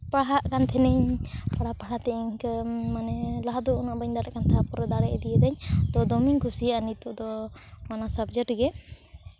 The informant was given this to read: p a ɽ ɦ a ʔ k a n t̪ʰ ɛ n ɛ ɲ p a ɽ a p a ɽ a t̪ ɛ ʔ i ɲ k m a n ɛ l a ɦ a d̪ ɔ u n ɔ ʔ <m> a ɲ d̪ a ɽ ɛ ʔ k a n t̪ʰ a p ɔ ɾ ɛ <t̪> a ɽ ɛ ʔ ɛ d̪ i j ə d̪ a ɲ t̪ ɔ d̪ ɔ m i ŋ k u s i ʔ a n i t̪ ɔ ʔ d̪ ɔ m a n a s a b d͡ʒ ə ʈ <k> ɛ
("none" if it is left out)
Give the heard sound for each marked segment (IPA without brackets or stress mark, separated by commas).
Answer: b, d̪, ɡ